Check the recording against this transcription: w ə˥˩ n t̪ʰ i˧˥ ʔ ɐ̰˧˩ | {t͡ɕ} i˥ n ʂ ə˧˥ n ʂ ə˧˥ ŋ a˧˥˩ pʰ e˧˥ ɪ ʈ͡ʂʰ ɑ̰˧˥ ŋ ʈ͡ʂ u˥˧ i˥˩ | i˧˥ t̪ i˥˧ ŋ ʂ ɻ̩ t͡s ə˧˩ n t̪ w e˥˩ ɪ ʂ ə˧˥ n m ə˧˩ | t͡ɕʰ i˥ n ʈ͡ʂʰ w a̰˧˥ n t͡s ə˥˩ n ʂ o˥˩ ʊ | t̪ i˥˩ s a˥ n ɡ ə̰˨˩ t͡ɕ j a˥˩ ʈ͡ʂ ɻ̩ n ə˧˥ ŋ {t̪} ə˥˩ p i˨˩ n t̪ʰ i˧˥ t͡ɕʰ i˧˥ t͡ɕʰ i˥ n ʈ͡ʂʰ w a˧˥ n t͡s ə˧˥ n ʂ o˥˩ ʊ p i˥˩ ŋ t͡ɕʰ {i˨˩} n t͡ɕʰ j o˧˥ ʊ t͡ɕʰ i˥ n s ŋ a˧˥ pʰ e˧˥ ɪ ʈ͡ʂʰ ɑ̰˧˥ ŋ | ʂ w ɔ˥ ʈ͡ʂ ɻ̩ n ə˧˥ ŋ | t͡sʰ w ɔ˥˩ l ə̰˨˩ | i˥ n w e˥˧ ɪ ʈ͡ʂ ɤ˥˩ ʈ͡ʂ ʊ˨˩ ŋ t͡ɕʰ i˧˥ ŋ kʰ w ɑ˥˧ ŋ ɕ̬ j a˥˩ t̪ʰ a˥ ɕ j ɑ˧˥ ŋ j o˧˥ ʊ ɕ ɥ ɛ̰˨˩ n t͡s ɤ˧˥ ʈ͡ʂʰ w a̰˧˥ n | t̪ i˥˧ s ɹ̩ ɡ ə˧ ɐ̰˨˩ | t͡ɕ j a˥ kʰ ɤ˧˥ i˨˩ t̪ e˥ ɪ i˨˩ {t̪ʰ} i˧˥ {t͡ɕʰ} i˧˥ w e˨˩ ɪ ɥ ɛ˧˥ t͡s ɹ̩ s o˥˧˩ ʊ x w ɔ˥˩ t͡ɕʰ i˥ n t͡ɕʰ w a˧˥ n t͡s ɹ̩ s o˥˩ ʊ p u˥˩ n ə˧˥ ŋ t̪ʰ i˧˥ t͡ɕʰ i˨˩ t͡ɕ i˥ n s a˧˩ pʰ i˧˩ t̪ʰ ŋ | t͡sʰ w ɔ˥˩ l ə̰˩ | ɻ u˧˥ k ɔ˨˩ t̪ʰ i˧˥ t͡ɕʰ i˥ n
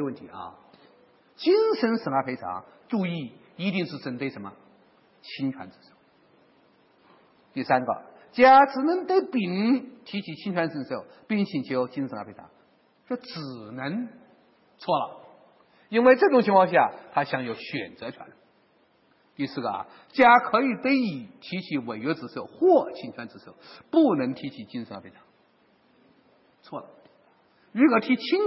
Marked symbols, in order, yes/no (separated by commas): yes, yes, yes, yes, yes